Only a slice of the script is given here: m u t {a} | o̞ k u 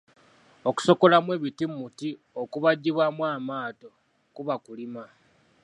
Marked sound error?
yes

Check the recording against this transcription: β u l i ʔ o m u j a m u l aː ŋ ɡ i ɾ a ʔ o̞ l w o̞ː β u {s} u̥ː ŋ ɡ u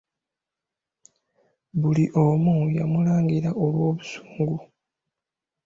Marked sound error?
no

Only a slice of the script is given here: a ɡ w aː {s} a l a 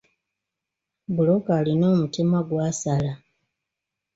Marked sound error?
no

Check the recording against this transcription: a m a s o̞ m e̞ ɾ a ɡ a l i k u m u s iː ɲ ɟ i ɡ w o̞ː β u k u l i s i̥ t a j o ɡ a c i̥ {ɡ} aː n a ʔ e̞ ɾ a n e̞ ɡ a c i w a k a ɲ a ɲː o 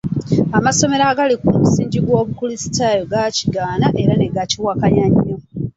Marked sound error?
no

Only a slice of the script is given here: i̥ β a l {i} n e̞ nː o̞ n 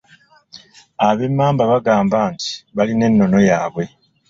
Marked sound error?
no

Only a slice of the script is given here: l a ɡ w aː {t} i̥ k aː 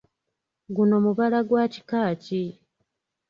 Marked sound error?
yes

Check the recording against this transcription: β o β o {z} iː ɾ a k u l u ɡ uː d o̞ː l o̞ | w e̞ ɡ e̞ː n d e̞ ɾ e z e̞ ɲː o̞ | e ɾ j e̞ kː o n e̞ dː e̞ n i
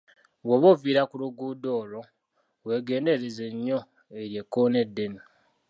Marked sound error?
yes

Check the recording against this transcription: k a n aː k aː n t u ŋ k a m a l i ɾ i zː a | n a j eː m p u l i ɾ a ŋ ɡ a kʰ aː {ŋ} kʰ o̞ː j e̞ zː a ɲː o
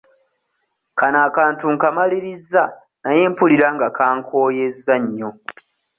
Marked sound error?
no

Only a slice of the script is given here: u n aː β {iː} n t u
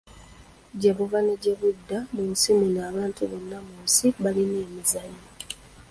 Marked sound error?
yes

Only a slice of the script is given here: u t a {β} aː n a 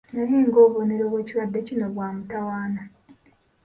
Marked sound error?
yes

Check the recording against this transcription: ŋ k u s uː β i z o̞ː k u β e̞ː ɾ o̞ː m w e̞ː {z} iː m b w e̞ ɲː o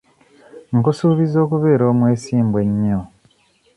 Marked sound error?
yes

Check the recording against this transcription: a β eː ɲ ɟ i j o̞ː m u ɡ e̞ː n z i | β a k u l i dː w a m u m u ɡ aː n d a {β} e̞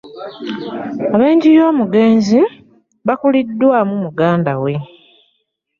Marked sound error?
yes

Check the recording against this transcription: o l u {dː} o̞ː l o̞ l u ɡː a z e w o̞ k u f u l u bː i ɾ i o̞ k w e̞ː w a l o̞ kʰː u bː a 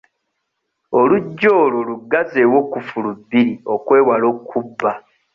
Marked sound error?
yes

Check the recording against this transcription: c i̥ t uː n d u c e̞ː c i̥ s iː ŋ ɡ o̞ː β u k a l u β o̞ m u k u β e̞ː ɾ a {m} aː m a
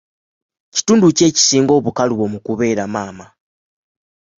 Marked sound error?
no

